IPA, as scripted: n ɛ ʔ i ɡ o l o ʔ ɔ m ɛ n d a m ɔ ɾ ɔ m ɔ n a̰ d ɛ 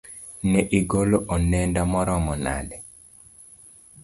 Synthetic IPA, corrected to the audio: n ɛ ʔ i ɡ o l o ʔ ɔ n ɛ n d a m ɔ ɾ ɔ m ɔ n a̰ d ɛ